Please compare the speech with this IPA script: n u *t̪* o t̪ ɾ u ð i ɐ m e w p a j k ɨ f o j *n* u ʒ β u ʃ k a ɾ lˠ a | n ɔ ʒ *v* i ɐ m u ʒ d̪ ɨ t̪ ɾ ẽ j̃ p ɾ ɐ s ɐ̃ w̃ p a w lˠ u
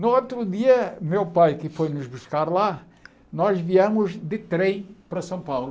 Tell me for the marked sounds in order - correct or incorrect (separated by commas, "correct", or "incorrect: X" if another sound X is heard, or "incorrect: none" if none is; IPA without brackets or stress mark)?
incorrect: none, correct, correct